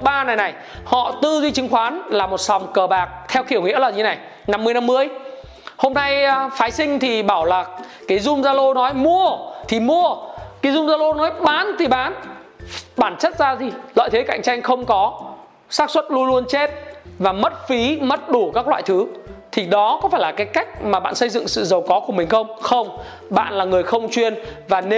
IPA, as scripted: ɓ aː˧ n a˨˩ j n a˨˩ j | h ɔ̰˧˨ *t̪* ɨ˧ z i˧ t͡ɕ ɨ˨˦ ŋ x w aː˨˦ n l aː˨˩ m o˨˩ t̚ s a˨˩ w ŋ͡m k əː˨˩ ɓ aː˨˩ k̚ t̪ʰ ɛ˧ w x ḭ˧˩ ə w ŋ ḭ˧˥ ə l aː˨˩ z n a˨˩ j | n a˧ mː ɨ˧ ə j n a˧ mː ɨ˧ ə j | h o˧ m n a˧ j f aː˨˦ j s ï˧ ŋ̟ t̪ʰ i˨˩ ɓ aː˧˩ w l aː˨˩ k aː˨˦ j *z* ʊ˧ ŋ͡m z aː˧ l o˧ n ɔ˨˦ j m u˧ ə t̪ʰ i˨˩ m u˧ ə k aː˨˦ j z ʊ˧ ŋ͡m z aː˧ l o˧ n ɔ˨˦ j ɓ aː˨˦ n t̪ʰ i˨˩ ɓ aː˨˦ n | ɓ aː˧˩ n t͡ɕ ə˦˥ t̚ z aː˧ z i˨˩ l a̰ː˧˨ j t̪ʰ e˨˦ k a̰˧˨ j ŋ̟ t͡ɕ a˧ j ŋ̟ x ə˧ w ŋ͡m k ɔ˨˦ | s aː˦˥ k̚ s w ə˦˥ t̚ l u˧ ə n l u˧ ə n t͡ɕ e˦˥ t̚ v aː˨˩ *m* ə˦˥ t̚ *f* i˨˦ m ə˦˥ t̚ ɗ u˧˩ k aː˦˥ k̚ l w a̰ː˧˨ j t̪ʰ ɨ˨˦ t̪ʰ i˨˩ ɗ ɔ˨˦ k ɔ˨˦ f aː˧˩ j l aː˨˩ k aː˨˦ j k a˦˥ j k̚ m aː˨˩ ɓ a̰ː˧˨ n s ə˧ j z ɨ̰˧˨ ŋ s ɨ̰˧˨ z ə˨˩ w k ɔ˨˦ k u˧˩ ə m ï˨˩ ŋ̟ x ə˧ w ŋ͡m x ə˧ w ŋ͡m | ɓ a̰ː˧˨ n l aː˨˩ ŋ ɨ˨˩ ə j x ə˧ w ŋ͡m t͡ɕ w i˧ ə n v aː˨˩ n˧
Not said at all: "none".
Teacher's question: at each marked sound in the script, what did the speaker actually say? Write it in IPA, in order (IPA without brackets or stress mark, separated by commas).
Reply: t̪, z, m, f